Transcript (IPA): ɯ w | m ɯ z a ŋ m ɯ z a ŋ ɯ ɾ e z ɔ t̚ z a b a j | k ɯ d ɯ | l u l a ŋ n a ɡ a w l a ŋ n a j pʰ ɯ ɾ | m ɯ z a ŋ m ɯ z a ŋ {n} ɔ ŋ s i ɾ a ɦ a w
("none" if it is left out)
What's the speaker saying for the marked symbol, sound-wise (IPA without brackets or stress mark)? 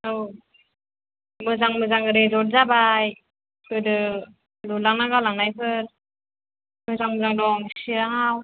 d